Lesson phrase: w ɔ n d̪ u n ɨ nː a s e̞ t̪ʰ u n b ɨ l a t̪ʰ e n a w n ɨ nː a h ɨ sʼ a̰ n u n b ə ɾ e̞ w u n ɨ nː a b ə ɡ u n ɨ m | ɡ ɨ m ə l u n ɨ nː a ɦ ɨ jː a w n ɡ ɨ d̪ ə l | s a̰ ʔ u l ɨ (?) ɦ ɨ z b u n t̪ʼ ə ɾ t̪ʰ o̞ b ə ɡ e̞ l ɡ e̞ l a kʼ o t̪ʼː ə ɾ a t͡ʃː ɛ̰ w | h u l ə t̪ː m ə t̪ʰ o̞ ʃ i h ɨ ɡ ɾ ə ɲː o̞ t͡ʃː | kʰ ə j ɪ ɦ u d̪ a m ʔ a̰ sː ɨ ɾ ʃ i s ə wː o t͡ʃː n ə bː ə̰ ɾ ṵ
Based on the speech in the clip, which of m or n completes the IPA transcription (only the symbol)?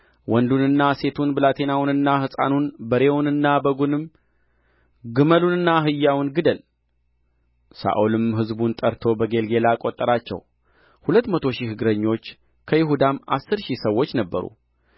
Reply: m